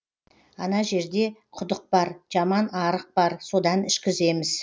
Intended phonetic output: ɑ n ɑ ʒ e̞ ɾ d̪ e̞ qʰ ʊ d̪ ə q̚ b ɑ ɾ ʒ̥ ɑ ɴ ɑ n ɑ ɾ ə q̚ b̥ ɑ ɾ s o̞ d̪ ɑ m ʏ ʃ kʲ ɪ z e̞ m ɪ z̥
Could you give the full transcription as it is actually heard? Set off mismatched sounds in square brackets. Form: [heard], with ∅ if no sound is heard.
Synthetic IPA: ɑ n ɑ ʒ e̞ ɾ d̪ e̞ qʰ ʊ d̪ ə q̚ b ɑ ɾ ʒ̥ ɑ [m] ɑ n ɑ ɾ ə q̚ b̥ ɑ ɾ s o̞ d̪ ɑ [n] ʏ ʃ kʲ ɪ z e̞ m ɪ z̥